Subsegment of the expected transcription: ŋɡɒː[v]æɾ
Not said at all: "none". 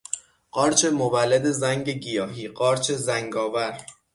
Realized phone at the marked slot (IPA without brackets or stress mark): v